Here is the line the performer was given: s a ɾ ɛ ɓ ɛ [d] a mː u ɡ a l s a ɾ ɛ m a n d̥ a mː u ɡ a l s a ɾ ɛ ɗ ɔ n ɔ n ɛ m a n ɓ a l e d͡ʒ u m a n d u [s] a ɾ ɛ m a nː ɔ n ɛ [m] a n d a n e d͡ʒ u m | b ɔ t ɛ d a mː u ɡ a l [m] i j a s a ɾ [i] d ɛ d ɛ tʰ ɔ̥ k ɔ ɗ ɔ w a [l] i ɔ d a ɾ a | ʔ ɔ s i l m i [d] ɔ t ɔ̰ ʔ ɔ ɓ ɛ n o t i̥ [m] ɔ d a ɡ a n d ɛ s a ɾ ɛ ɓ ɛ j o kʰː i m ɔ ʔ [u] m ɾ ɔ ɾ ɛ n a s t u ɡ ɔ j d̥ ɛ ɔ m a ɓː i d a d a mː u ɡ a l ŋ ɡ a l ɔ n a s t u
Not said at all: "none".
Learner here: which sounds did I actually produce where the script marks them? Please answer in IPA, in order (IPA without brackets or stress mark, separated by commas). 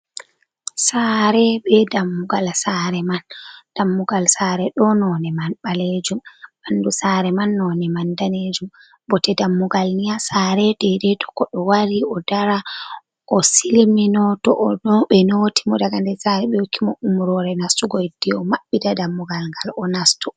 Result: d, s, m, n, ɛ, ɾ, n, m, u